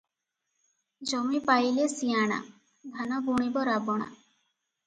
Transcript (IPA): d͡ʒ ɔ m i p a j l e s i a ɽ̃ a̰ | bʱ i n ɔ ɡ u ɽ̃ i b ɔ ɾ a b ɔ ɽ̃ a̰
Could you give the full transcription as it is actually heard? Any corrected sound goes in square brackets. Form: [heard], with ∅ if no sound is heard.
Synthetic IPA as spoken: d͡ʒ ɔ m i p a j l e s i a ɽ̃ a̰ | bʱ [a] n ɔ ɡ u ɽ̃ i b ɔ ɾ a b ɔ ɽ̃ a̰